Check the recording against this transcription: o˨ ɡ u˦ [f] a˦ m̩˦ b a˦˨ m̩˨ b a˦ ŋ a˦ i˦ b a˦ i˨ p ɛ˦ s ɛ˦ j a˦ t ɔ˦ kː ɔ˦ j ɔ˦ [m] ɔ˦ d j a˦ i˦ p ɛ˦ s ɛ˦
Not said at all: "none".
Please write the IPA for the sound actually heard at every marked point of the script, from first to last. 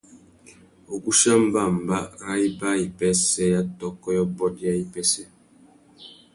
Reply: ʃ, b

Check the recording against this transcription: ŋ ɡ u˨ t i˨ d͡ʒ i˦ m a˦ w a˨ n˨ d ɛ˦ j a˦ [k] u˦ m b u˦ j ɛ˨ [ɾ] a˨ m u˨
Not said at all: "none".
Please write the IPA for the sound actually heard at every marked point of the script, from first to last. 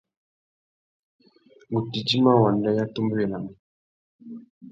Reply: t, l

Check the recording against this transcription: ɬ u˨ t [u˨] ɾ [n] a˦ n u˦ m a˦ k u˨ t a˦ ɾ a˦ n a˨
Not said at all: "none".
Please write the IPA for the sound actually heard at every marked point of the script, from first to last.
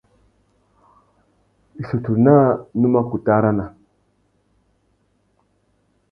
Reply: u˨, n

